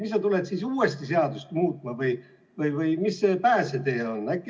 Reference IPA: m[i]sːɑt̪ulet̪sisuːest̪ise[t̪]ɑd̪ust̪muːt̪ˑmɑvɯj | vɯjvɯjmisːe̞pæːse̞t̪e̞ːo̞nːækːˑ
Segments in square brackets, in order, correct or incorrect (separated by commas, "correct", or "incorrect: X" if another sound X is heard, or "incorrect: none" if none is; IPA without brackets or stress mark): correct, incorrect: none